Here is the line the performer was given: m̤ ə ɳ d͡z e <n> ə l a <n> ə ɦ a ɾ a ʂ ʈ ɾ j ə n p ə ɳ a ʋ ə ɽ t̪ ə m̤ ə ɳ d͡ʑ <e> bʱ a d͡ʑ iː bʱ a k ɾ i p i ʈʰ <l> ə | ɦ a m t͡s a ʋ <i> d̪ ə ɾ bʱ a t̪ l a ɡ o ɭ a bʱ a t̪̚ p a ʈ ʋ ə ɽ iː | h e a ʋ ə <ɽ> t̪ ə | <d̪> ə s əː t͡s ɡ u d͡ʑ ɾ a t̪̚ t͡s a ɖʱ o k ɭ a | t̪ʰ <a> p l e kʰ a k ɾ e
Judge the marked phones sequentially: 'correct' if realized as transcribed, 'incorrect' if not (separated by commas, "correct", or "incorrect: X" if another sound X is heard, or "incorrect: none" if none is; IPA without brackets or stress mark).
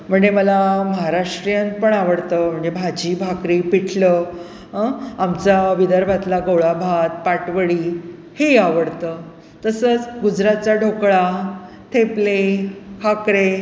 incorrect: m, incorrect: m, correct, correct, correct, correct, incorrect: t̪, incorrect: e